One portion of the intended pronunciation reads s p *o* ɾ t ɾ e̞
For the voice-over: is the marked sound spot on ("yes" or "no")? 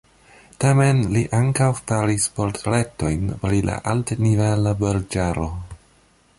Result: yes